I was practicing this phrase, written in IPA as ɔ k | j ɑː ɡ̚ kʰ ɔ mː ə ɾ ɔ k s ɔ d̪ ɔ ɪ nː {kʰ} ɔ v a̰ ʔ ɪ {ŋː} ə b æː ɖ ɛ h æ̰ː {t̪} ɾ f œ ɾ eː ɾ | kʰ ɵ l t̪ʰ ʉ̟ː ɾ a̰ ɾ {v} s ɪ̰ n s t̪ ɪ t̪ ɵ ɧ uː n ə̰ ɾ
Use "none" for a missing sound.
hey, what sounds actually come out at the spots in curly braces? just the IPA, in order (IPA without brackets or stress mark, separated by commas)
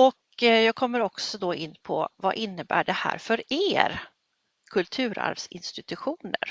pʰ, nː, none, v